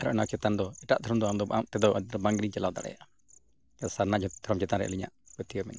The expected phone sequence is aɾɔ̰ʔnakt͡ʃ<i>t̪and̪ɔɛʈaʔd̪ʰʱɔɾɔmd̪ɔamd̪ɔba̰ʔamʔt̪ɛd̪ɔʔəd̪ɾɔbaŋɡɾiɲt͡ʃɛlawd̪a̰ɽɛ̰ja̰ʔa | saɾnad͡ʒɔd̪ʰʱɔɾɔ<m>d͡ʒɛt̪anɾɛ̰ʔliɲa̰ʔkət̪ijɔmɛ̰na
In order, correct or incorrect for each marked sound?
incorrect, correct

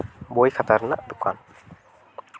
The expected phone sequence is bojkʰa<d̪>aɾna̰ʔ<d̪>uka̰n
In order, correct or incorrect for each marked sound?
incorrect, correct

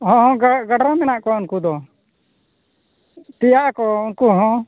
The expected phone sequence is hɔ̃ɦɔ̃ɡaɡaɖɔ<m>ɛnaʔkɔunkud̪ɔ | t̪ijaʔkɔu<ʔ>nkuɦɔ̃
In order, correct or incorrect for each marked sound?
correct, incorrect

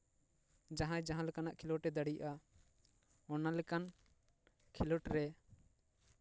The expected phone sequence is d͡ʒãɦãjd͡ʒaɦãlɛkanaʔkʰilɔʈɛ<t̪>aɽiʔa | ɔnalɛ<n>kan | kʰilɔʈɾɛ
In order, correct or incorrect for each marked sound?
incorrect, incorrect

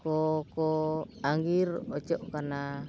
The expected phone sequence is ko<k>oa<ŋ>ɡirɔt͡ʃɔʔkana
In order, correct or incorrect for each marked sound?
correct, correct

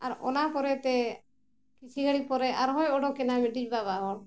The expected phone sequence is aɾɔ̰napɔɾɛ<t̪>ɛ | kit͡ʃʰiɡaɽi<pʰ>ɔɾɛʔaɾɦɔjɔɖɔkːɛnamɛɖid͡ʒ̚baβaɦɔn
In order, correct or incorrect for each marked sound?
correct, incorrect

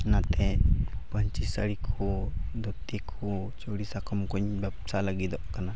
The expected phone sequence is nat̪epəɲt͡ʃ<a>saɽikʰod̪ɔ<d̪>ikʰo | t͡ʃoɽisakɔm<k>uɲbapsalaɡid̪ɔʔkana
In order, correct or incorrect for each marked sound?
incorrect, incorrect, correct

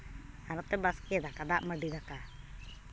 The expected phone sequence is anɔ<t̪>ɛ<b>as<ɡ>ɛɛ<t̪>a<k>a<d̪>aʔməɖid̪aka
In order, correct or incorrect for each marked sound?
correct, correct, incorrect, incorrect, correct, correct

